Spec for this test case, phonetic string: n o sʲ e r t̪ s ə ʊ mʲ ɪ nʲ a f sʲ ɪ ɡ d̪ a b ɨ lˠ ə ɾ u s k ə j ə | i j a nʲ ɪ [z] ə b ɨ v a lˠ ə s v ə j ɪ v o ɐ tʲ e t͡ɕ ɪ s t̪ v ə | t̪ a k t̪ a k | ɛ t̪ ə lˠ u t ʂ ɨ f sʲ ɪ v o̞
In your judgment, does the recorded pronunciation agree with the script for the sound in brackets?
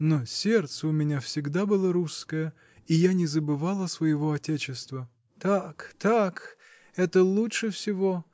yes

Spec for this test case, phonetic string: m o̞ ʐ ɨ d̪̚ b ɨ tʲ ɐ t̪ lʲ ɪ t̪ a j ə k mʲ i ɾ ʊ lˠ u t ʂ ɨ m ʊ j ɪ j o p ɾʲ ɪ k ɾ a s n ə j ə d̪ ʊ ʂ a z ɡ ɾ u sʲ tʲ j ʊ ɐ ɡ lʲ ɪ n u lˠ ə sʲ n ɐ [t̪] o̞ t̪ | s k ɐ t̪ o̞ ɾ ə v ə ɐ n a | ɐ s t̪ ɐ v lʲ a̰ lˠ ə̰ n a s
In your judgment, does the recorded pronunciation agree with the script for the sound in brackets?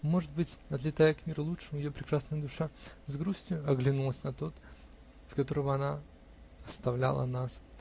yes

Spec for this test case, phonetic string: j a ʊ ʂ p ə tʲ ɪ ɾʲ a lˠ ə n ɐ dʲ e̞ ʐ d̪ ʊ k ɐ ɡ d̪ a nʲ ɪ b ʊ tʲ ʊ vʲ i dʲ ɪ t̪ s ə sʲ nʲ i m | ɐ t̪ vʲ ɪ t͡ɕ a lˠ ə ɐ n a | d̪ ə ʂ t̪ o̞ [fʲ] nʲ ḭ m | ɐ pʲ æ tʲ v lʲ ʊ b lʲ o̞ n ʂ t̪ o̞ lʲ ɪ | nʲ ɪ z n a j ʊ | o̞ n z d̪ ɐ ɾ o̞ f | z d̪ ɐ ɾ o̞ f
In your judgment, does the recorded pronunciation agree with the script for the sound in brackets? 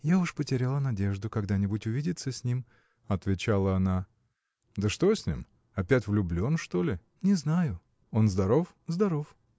no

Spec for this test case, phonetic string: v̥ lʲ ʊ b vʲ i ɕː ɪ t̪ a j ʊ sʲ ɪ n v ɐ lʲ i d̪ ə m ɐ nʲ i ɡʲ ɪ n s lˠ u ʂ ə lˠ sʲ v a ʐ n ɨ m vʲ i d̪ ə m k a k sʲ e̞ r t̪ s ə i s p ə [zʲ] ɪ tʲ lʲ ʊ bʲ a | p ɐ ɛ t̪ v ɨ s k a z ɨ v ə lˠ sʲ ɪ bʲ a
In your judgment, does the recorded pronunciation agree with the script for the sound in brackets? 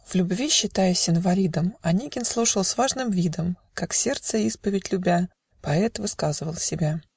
no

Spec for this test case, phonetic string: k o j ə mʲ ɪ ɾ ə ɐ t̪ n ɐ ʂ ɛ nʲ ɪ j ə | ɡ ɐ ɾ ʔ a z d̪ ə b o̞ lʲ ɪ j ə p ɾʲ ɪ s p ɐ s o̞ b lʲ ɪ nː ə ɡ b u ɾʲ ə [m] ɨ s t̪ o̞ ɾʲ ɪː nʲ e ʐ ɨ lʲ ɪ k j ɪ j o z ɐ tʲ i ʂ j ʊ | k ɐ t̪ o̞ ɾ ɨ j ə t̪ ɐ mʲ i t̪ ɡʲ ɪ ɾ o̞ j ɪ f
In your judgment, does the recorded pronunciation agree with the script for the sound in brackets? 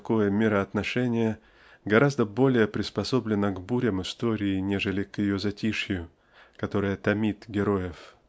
yes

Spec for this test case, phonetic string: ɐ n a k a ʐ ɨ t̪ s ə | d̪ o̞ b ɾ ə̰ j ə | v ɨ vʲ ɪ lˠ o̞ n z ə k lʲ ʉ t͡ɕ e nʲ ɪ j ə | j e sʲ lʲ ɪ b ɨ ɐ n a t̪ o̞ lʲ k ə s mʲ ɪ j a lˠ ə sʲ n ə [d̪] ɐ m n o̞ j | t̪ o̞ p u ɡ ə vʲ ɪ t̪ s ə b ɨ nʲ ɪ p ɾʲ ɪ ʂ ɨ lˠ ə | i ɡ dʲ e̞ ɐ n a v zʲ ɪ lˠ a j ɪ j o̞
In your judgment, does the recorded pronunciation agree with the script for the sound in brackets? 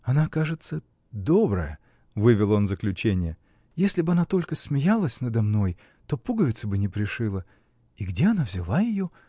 yes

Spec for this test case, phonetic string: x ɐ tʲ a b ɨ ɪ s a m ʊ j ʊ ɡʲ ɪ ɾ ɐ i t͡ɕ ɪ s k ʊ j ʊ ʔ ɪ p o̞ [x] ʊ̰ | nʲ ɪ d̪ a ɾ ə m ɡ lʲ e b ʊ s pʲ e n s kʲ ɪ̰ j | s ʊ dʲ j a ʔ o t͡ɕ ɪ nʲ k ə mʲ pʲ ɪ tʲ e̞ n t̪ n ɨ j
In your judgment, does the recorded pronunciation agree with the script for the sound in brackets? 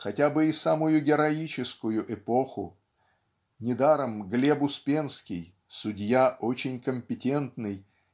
yes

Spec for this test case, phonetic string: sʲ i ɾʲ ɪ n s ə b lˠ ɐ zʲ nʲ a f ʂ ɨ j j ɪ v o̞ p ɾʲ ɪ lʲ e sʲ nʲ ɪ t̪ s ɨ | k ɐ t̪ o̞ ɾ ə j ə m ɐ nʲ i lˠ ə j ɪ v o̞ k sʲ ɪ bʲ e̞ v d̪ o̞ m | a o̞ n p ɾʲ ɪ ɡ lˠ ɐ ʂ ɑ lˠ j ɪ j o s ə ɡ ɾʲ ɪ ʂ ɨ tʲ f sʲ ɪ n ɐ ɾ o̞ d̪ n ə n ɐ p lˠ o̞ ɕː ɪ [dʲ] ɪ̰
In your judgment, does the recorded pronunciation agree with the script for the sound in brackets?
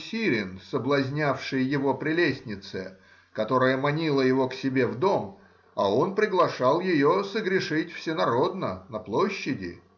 yes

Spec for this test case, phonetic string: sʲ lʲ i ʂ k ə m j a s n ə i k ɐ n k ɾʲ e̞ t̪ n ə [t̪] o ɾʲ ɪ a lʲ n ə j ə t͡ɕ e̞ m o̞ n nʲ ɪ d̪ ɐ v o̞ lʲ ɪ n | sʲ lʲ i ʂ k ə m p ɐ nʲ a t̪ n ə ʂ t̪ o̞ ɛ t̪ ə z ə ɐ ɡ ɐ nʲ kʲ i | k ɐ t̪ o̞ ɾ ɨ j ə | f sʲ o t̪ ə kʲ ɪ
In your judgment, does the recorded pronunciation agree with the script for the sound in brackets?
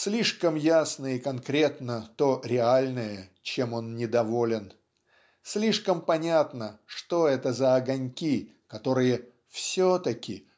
yes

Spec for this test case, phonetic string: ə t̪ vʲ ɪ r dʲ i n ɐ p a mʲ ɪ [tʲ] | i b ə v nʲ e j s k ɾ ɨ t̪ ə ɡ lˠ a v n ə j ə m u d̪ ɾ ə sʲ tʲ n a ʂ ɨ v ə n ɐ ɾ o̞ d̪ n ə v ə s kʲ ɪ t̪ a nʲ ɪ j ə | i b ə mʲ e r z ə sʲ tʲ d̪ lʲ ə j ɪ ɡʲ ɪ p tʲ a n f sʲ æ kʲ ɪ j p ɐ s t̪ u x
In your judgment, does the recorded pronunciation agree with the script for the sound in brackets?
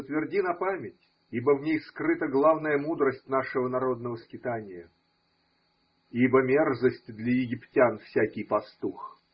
yes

